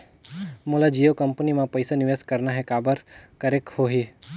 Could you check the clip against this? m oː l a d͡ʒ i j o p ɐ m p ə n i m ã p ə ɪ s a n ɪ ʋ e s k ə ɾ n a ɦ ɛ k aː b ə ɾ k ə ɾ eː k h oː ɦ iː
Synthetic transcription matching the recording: m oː l a d͡ʒ i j o k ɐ m p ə n i m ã p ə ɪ s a n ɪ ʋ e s k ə ɾ n a ɦ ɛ k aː b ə ɾ k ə ɾ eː k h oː ɦ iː